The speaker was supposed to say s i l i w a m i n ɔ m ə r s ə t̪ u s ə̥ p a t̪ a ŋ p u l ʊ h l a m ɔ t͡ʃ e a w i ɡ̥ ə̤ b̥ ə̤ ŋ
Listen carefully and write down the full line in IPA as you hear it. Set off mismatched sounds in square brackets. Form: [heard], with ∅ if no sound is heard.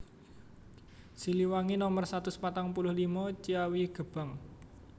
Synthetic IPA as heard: s i l i w a [ŋ] i n ɔ m ə r s [a] t̪ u s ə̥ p a t̪ a ŋ p u l ʊ h l [i] m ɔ t͡ʃ [i] a w i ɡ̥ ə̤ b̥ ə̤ ŋ